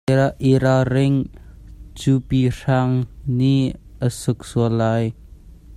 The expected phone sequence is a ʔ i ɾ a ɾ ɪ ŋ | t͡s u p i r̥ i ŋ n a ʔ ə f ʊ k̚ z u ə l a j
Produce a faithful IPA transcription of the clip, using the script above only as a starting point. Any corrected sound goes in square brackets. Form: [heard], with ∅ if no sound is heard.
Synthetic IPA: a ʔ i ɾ a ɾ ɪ ŋ | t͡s u p i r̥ [a] ŋ n [i] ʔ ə [s] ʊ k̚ [s] u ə l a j